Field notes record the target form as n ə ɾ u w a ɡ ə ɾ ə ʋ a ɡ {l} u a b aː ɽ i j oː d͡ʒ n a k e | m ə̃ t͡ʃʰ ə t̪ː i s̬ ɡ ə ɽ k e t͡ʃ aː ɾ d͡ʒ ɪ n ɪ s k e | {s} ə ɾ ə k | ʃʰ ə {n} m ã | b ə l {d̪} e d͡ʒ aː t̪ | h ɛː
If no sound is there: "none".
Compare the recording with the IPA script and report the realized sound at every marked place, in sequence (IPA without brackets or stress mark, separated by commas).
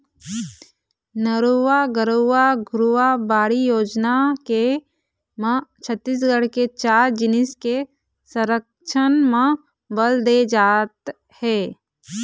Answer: ɾ, s, n, d̪